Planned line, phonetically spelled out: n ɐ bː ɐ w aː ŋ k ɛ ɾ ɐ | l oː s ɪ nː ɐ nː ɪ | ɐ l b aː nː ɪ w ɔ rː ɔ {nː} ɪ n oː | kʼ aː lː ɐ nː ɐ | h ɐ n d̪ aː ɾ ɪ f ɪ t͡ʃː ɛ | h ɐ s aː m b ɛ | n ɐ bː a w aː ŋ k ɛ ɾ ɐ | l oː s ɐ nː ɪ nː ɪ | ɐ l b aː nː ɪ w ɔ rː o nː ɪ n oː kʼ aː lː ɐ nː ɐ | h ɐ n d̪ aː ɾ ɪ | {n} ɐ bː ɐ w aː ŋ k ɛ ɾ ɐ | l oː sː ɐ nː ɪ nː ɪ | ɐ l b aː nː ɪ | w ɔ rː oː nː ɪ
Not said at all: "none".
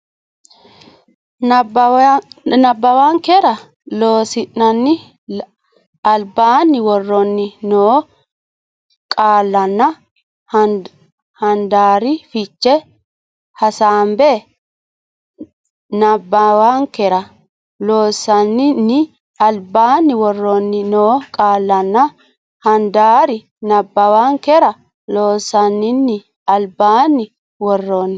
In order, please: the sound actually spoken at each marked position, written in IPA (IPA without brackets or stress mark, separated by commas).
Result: nː, n